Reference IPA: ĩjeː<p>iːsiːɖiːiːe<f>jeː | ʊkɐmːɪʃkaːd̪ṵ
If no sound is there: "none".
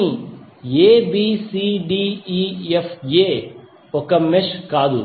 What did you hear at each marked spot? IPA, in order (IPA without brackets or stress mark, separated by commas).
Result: b, f